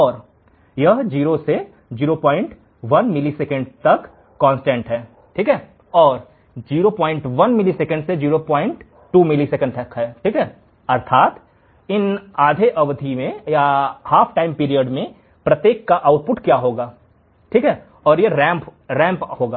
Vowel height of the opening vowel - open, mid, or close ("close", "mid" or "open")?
mid